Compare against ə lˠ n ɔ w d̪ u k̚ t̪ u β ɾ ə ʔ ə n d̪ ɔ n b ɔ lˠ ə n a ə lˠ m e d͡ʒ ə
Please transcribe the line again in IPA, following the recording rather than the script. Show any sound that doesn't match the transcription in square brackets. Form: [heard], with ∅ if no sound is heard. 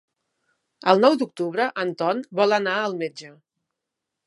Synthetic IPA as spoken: ə lˠ n ɔ w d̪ u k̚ t̪ u β ɾ ə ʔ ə n [t̪] ɔ n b ɔ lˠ ə n a ə lˠ m e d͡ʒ ə